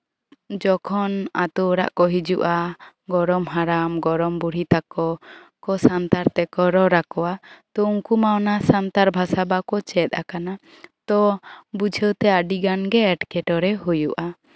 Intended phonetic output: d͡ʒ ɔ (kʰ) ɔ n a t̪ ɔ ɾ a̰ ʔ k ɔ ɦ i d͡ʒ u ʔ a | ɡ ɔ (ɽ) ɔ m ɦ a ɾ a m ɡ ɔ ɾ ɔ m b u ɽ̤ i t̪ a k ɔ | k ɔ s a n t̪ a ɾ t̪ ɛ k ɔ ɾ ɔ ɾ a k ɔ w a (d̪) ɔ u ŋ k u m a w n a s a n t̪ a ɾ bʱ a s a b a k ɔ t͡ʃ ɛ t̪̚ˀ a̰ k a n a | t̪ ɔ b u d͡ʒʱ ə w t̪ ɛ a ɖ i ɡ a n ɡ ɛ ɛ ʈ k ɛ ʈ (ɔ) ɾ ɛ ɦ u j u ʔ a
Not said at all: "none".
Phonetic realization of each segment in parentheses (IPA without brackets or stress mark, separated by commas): kʰ, ɾ, t̪, ɔ